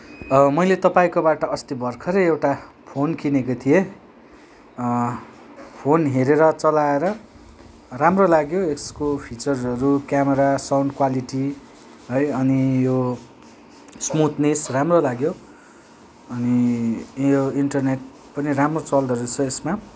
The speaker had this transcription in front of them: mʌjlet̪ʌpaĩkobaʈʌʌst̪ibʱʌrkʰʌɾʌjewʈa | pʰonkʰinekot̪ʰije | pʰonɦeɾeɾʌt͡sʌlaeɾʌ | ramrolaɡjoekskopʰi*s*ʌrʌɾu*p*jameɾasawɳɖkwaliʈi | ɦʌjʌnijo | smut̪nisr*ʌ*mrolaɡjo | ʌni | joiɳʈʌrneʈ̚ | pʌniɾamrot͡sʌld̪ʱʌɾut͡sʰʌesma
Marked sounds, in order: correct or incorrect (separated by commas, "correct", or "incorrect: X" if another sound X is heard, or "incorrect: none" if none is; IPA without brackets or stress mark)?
incorrect: t͡s, incorrect: k, incorrect: a